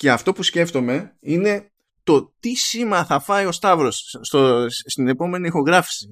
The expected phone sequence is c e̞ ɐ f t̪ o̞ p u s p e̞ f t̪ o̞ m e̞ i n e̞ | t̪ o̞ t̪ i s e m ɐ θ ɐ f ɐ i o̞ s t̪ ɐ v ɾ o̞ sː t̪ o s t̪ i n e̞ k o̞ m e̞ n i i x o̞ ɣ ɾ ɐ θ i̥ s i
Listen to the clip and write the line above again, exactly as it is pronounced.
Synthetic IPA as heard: c e̞ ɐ f t̪ o̞ p u s c e̞ f t̪ o̞ m e̞ i n e̞ | t̪ o̞ t̪ i s i m ɐ θ ɐ f ɐ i o̞ s t̪ ɐ v ɾ o̞ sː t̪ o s t̪ i n e̞ p o̞ m e̞ n i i x o̞ ɣ ɾ ɐ f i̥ s i